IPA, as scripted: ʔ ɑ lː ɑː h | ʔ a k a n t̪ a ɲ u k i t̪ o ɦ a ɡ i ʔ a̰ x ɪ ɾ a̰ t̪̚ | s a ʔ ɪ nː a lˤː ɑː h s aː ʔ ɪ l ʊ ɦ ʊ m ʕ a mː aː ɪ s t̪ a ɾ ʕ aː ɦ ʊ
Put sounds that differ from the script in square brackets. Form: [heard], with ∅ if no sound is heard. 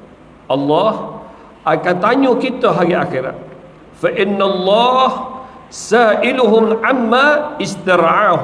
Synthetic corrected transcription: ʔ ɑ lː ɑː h | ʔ a k a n t̪ a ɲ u k i t̪ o ɦ a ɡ i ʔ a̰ x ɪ ɾ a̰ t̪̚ | [f] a ʔ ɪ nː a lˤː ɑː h s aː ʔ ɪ l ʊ ɦ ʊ m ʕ a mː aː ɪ s t̪ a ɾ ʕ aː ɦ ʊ